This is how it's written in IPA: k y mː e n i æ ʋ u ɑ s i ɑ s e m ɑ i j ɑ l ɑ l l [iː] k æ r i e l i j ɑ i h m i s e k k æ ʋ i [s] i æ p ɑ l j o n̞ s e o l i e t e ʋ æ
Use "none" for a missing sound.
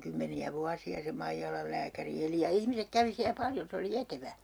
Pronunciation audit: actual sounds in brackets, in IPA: æː, s

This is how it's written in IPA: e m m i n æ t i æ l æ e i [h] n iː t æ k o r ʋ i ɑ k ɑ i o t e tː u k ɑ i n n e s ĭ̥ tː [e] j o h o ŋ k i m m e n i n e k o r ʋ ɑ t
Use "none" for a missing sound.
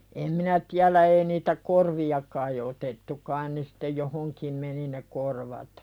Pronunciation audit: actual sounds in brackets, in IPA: none, e

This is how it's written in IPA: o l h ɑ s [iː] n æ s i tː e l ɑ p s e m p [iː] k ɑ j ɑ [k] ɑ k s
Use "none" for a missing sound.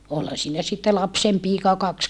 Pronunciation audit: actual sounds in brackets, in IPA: iː, iː, k

